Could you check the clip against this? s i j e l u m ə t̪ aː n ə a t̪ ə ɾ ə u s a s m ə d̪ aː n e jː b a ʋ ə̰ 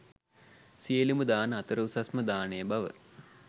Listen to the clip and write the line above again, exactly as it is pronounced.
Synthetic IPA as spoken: s i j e l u m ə d̪ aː n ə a t̪ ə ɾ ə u s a s m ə d̪ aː n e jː b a ʋ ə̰